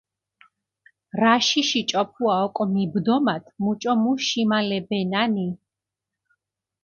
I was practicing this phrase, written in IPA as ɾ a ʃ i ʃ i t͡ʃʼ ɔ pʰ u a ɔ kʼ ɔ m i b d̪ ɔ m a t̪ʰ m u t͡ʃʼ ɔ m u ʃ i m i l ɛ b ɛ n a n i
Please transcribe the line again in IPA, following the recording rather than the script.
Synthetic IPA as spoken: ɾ a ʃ i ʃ i t͡ʃʼ ɔ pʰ u a ɔ kʼ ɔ m i b d̪ ɔ m a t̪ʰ m u t͡ʃʼ ɔ m u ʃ i m a l ɛ b ɛ n a n i